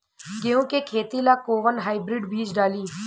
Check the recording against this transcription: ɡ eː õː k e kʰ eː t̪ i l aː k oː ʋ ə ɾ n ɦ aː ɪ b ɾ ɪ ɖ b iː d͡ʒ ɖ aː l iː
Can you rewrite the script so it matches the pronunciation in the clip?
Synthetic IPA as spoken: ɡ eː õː k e kʰ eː t̪ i l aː k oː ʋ ə n ɦ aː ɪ b ɾ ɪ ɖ b iː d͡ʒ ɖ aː l iː